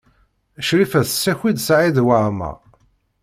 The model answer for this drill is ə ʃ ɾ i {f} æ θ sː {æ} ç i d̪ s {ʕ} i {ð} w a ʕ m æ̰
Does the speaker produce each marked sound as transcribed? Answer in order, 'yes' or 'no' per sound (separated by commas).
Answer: yes, yes, yes, yes